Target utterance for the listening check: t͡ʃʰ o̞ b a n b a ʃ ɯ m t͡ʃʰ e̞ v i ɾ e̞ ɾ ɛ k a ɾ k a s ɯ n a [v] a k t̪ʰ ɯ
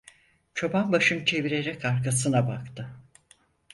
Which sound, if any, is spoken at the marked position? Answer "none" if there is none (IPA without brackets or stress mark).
b